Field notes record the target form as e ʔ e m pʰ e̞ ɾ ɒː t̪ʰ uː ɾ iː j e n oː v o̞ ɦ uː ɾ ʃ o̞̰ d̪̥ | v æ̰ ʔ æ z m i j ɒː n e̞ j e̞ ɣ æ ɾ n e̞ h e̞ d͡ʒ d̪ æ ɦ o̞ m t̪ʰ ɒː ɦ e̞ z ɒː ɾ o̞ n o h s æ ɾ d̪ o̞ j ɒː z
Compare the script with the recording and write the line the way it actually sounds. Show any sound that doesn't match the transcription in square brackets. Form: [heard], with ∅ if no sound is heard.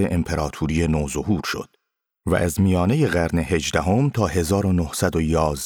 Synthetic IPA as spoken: e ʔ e m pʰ e̞ ɾ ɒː t̪ʰ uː ɾ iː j e n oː [z] o̞ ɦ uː ɾ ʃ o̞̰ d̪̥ | v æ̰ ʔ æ z m i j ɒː n e̞ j e̞ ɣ æ ɾ n e̞ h e̞ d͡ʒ d̪ æ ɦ o̞ m t̪ʰ ɒː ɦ e̞ z ɒː ɾ o̞ n o h s æ [∅] d̪ o̞ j ɒː z